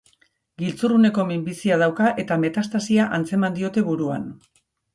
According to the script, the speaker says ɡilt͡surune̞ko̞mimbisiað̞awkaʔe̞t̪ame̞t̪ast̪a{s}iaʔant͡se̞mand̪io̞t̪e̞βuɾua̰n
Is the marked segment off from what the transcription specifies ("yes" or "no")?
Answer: no